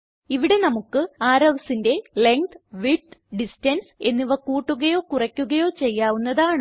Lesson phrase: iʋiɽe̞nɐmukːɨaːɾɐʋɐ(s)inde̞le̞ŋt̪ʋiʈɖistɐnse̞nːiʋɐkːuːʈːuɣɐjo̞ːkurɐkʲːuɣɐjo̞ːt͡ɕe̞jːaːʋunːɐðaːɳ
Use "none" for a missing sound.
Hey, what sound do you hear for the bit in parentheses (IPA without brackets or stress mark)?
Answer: s